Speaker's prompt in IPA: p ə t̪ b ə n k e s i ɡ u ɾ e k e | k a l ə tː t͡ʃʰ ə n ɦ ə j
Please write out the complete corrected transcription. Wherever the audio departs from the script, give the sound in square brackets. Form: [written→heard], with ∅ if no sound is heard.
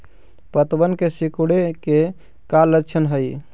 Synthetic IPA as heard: p ə t̪ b ə n k e s i [ɡ→k] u [ɾ→ɽ] e k e | k a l ə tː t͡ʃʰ ə n ɦ ə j